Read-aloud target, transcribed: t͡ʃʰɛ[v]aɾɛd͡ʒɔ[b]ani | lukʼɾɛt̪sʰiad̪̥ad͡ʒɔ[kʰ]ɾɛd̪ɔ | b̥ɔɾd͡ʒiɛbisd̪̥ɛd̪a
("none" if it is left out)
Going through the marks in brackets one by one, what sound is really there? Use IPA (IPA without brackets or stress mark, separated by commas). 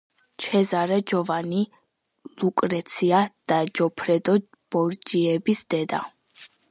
z, v, pʰ